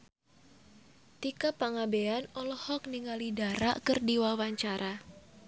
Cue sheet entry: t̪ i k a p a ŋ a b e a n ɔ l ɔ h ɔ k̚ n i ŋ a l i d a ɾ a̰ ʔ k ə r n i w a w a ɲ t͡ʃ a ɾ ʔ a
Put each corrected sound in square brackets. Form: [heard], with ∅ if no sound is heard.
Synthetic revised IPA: t̪ i k a p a ŋ a b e a n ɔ l ɔ h ɔ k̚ n i ŋ a l i d a ɾ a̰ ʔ k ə r [d] i w a w a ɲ t͡ʃ a ɾ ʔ a